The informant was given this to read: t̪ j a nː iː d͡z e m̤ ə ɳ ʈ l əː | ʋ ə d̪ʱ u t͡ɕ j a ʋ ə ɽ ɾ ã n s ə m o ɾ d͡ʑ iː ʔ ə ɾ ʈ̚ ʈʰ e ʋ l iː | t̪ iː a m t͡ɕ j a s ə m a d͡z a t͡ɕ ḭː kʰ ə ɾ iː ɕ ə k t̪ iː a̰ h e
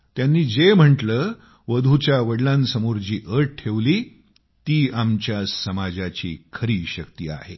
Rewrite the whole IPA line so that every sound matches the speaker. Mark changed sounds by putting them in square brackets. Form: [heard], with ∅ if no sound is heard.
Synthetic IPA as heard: t̪ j a nː iː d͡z e m̤ ə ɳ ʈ l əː | ʋ ə d̪ʱ u t͡ɕ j a ʋ ə ɽ [l] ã n s ə m o ɾ d͡ʑ iː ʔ ə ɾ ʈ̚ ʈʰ e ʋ l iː | t̪ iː a m t͡ɕ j a s ə m a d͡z a t͡ɕ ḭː kʰ ə ɾ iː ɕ ə k t̪ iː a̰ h e